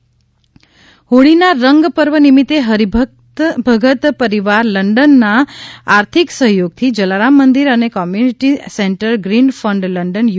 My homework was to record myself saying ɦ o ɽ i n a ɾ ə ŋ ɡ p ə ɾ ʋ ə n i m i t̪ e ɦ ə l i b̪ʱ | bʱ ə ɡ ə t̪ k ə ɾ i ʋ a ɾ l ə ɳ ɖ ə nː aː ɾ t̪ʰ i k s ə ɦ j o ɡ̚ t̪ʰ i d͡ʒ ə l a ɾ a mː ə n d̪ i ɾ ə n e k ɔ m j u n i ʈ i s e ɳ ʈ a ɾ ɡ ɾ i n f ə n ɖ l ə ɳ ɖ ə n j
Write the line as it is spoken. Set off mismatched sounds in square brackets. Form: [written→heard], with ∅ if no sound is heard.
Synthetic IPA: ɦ o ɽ i n a ɾ ə ŋ ɡ p ə ɾ ʋ ə n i m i t̪ e ɦ ə [l→ɾ] i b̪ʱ | bʱ ə ɡ ə t̪ [k→p] ə ɾ i ʋ a ɾ l ə ɳ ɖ ə nː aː ɾ t̪ʰ i k s ə ɦ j o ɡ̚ t̪ʰ i d͡ʒ ə l a ɾ a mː ə n d̪ i ɾ ə n e k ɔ m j u n i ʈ i s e ɳ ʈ [a→ə] ɾ ɡ ɾ i n f ə [n→ɳ] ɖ l ə ɳ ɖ ə n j

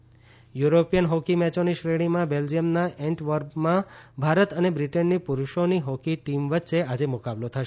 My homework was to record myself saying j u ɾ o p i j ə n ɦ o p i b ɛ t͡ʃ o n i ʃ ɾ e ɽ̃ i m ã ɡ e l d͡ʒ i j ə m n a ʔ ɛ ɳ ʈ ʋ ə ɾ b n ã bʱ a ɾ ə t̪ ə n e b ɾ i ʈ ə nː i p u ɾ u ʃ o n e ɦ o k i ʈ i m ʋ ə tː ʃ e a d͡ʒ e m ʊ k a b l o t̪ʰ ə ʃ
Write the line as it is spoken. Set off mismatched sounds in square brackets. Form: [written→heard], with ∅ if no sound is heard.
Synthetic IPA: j u ɾ o p i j ə n ɦ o [p→k] i [b→m] ɛ t͡ʃ o n i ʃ ɾ e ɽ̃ i m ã [ɡ→b] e l d͡ʒ i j ə m n a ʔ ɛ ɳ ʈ ʋ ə ɾ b [n→m] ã bʱ a ɾ ə t̪ ə n e b ɾ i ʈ ə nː i p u ɾ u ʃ o n [e→i] ɦ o k i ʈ i m ʋ ə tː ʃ e a d͡ʒ e m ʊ k a b l o t̪ʰ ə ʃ

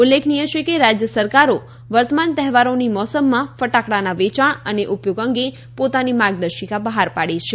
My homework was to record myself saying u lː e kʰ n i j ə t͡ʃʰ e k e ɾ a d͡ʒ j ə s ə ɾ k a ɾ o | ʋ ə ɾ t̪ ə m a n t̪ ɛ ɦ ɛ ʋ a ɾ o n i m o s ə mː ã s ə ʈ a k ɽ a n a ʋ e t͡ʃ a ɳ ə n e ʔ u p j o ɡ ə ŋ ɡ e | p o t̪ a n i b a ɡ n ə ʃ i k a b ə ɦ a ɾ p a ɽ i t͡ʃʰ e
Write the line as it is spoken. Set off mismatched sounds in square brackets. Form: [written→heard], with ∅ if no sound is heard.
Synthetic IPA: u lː e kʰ n i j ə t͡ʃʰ e k e ɾ a d͡ʒ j ə s ə ɾ k a ɾ o | ʋ ə ɾ t̪ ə m a n t̪ ɛ ɦ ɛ ʋ a ɾ o n i m [o→ɔ] s ə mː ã [s→f] ə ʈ a k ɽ a n a ʋ e t͡ʃ a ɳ ə n e ʔ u p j o ɡ ə ŋ ɡ e | p o t̪ a n i [b→m] a ɡ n ə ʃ i k a b ə ɦ a ɾ p a ɽ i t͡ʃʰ e

